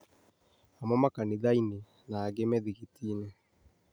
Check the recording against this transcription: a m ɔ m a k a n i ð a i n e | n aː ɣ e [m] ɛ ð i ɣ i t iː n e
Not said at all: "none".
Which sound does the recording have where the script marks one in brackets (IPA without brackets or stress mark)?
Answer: m